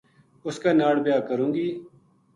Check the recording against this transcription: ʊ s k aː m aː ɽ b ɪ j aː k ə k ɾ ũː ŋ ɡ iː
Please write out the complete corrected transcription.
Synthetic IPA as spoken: ʊ s k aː n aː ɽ b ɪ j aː k ə ɾ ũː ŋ ɡ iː